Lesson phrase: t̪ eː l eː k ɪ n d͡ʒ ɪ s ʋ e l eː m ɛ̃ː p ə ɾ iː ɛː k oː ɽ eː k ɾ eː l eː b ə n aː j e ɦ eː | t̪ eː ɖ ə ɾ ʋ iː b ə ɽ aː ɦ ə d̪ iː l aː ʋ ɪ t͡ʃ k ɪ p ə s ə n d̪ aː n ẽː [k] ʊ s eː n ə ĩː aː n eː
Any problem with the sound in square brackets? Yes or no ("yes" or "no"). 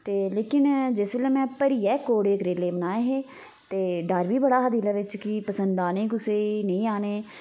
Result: no